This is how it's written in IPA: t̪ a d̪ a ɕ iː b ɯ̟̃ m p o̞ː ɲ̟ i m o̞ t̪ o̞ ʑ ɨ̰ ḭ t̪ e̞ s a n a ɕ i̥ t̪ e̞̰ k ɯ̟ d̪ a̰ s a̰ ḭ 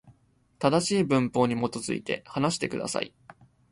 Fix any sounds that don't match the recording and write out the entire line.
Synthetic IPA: t̪ a d̪ a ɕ iː b ɯ̟̃ m p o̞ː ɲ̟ i m o̞ t̪ o̞ z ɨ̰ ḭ t̪ e̞ h a n a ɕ i̥ t̪ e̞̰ k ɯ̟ d̪ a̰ s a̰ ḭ